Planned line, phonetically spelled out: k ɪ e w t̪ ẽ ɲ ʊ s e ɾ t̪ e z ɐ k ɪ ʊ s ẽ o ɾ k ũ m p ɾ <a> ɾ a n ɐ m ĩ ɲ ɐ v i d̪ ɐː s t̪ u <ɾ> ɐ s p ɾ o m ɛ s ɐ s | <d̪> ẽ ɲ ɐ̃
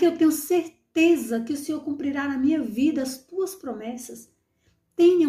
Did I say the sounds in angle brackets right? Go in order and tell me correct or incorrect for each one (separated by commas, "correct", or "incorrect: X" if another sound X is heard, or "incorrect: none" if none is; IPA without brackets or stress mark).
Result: incorrect: i, incorrect: none, incorrect: t̪